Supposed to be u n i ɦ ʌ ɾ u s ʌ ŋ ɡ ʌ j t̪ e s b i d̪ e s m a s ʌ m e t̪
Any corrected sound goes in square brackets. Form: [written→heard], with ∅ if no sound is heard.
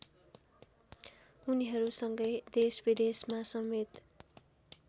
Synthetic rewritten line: u n i ɦ ʌ ɾ u s ʌ ŋ ɡ ʌ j [t̪→d̪] e s b i d̪ e s m a s ʌ m e t̪